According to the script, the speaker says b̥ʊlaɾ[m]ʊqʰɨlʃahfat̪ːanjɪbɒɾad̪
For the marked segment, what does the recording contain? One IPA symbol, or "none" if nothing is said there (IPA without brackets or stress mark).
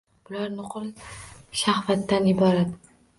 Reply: n